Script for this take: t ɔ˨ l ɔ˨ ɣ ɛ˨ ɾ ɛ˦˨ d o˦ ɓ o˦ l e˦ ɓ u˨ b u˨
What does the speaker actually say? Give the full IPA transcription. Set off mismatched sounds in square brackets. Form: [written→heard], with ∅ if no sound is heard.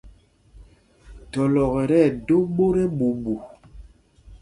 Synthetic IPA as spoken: t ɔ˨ l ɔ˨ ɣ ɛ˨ ɾ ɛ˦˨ d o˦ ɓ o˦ [l→ɾ] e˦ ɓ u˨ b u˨